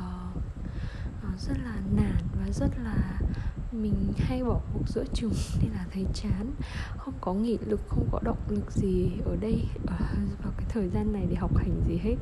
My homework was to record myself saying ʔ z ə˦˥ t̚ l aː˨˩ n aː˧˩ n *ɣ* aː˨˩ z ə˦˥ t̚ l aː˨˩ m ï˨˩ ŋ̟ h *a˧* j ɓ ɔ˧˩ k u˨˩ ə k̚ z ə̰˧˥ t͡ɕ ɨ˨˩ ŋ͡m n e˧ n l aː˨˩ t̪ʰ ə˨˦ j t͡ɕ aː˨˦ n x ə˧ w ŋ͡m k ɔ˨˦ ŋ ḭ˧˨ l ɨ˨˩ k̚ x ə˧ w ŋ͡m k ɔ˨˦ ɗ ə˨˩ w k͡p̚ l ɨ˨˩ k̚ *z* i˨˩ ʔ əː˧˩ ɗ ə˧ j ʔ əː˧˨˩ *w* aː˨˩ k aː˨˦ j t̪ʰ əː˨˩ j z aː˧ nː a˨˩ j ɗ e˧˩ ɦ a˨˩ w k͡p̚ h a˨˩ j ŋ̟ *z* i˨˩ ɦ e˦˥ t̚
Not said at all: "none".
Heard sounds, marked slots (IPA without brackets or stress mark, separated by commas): v, a˧, z, v, z